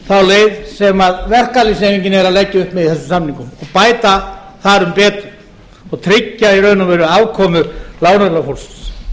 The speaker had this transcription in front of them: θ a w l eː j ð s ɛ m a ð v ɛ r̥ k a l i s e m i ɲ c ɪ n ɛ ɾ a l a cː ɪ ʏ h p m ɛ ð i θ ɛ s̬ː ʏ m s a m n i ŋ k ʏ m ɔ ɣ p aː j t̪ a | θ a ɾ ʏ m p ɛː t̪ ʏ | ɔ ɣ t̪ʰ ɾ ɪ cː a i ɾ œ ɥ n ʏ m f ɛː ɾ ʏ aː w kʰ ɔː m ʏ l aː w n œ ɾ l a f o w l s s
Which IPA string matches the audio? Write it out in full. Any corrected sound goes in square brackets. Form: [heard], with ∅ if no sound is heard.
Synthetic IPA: θ a w l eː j ð s ɛ m a ð v ɛ r̥ k a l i s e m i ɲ c ɪ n ɛ ɾ a l [ɛ] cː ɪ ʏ h p m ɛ ð i θ ɛ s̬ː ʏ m s a m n i ŋ k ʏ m ɔ ɣ p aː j t̪ a | θ a ɾ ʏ m p ɛː t̪ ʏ | ɔ ɣ t̪ʰ ɾ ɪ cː a i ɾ œ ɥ n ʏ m [v] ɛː ɾ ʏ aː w kʰ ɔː m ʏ l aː w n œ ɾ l a f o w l s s